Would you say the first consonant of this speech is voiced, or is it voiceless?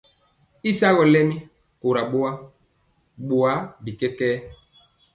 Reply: voiceless